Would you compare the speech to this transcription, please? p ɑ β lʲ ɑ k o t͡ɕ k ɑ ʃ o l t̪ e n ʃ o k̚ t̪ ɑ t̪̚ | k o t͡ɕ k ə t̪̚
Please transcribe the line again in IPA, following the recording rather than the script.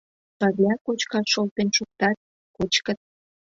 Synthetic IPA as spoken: p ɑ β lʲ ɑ k o t͡ɕ k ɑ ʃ o l t̪ e n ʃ u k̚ t̪ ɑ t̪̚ | k o t͡ɕ k ə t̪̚

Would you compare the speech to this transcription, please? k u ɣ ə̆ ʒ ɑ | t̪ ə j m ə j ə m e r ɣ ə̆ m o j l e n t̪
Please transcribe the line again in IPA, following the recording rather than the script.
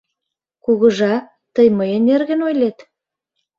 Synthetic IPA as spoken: k u ɣ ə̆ ʒ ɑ | t̪ ə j m ə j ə n e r ɣ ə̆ n o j l e t̪

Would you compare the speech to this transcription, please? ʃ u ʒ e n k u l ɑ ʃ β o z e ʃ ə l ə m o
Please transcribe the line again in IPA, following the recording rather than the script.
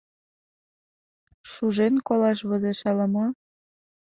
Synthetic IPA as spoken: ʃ u ʒ e n k o l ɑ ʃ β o z e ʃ ɑ l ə m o

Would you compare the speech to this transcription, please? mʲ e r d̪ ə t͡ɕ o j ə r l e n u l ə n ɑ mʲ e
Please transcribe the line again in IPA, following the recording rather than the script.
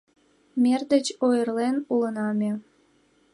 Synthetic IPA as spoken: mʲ e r d̪ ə t͡ɕ o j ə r l e n u l ə n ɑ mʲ e

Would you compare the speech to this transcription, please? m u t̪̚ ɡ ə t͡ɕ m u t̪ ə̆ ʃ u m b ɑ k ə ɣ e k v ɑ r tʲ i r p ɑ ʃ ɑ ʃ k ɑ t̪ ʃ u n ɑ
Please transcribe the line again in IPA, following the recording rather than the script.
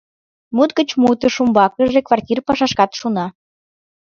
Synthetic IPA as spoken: m u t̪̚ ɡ ə t͡ɕ m u t̪ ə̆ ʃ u m b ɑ k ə ʒ e k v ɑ r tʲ i r p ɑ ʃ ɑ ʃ k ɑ t̪ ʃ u n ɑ

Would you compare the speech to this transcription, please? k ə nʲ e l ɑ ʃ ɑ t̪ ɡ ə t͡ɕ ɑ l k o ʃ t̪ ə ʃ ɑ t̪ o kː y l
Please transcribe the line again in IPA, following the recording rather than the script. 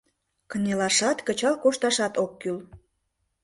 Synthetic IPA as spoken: k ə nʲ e l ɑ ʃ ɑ t̪ k ə t͡ɕ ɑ l k o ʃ t̪ ɑ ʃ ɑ t̪ o kː y l

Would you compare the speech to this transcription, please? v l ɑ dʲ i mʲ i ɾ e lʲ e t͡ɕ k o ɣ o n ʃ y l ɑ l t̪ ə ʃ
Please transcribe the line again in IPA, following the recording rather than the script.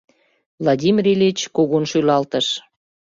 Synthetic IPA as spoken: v l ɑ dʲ i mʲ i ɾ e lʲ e t͡ɕ k o ɣ o n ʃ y l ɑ l t̪ ə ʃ

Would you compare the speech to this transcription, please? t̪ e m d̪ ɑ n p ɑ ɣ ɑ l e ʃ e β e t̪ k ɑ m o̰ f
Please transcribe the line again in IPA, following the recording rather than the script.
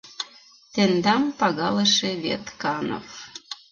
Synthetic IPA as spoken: t̪ e n d̪ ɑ m p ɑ ɣ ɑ l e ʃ e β e t̪ k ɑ n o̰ f

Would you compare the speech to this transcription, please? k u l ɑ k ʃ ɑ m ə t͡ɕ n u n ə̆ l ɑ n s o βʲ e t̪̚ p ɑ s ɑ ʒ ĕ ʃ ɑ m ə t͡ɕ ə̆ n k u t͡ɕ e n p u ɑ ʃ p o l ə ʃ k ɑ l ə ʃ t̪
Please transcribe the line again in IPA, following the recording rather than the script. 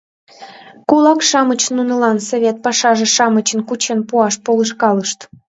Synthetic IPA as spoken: k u l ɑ k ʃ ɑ m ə t͡ɕ n u n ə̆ l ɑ n s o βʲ e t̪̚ p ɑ ʃ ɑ ʒ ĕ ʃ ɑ m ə t͡ɕ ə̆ n k u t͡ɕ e n p u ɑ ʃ p o l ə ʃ k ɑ l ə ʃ t̪

